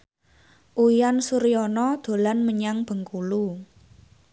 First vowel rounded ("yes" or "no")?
yes